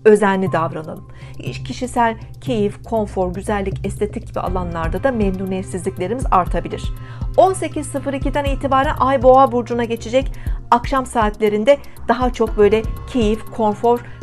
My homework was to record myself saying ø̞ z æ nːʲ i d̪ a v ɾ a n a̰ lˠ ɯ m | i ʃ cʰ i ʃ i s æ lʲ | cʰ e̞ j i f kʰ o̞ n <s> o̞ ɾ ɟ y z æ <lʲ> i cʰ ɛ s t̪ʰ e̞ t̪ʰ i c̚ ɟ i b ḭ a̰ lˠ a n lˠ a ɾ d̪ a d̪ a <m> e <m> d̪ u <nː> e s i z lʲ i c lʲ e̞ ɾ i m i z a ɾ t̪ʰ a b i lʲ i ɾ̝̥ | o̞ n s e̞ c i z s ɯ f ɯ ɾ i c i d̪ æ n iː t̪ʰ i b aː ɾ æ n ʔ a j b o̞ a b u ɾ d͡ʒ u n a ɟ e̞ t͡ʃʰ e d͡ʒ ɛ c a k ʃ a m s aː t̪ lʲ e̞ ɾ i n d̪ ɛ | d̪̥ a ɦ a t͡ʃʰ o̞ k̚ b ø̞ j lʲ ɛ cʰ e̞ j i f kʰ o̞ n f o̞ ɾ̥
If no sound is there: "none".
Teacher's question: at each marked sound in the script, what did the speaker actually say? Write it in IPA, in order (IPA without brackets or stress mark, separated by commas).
f, lʲː, m, n, n